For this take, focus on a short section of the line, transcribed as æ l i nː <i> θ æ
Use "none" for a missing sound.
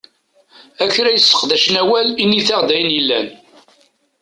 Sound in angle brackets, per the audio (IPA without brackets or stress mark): i